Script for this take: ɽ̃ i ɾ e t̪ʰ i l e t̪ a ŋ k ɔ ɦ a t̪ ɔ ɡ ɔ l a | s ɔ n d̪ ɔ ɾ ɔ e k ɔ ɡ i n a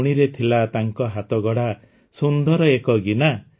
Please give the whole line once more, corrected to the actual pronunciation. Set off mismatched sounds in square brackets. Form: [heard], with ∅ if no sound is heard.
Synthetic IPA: ɽ̃ i ɾ e t̪ʰ i l [a] t̪ a ŋ k ɔ ɦ a t̪ ɔ ɡ ɔ [ɽ] a | s [u] n d̪ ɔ ɾ ɔ e k ɔ ɡ i n a